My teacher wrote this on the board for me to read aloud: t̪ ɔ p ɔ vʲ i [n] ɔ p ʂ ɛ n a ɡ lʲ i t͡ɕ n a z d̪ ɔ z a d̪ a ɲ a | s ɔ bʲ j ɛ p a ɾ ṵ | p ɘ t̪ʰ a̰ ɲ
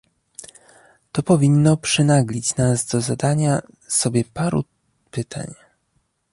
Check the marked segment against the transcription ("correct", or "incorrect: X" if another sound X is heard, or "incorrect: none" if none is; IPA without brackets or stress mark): incorrect: nː